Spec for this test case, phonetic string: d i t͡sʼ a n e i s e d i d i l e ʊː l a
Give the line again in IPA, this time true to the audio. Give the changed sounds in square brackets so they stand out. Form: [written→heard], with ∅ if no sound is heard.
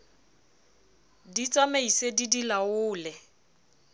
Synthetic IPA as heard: d i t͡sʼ a [n→m] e i s e d i d i l [e→a] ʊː l [a→ɛ]